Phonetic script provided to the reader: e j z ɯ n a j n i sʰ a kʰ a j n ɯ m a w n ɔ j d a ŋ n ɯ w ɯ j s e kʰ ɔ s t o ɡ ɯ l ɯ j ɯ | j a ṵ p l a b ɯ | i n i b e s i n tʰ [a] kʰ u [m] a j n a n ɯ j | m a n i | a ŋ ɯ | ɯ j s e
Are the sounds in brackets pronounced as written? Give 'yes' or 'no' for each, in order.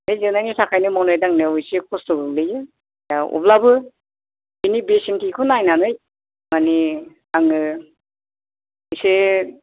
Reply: no, no

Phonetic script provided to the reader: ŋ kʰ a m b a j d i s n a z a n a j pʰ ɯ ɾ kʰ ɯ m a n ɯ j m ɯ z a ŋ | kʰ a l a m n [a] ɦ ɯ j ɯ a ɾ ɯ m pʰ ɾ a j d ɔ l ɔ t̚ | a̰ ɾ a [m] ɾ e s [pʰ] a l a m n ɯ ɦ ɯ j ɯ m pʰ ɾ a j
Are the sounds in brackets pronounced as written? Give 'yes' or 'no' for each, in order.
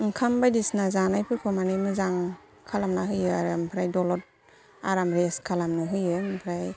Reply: yes, yes, no

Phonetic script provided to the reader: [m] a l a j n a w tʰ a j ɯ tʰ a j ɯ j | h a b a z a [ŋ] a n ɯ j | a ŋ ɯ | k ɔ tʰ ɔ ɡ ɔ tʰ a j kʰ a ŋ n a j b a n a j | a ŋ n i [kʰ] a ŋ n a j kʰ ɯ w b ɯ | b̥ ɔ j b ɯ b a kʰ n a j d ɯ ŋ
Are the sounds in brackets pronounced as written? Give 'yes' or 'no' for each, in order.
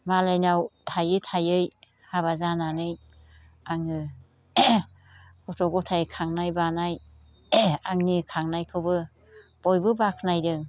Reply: yes, no, yes

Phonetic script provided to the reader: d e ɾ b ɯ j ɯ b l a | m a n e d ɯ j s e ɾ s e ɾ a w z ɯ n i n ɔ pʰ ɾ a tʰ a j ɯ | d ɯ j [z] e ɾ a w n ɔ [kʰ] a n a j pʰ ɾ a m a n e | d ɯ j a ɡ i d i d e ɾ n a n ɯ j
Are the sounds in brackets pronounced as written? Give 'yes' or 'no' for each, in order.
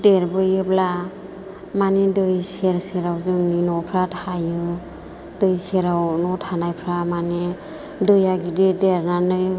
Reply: no, no

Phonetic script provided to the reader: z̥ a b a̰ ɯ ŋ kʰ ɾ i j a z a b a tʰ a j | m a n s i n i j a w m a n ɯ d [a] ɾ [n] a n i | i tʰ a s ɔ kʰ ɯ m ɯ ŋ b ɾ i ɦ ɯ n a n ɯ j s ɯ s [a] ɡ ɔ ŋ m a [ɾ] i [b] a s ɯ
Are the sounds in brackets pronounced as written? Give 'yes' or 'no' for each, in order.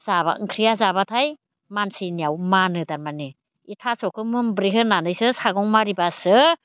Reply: yes, no, yes, yes, yes

